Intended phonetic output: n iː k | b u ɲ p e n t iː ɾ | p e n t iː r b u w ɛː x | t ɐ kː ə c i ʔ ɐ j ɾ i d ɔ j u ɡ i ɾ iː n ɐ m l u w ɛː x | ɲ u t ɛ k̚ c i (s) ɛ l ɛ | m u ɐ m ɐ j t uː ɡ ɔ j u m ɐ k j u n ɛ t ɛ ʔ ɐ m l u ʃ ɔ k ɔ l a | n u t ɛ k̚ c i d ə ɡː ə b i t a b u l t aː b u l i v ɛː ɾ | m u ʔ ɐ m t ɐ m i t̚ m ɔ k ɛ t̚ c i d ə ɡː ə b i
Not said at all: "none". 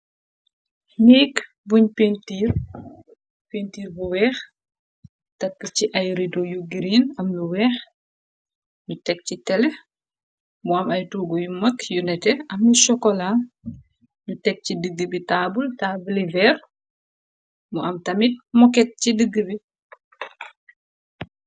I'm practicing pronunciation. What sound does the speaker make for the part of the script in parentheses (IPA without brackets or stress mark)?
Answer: t